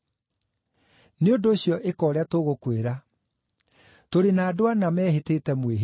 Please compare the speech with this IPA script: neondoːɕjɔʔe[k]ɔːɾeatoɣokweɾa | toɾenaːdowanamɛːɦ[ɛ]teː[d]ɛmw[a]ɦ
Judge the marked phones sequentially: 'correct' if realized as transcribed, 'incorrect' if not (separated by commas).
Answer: correct, incorrect, incorrect, incorrect